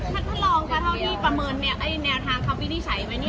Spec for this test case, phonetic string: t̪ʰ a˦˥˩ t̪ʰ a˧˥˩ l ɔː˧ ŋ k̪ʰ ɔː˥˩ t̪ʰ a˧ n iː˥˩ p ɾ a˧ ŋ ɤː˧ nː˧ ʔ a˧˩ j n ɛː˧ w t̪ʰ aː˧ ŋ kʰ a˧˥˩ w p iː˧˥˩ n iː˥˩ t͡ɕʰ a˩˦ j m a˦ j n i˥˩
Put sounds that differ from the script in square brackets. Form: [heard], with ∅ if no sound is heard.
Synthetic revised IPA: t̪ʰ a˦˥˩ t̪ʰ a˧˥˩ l ɔː˧ ŋ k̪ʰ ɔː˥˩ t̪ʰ [a˥˩] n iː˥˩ p ɾ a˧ [m] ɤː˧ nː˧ ʔ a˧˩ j n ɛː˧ w t̪ʰ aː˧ ŋ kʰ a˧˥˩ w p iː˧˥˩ n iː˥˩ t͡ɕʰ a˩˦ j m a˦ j n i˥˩